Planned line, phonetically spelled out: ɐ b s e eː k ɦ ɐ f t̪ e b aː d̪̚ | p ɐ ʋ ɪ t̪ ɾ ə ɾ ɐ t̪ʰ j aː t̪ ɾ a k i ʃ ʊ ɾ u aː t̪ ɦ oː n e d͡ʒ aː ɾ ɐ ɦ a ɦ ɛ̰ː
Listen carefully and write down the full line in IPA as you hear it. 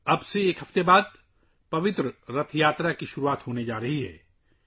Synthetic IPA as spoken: ɐ b s e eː k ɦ ɐ f t̪ e b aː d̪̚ | p ɐ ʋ ɪ t̪ ɾ ə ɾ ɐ t̪ʰ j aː t̪ ɾ a k i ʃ ʊ ɾ u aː t̪ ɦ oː n e d͡ʒ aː ɾ ɐ ɦ i ɦ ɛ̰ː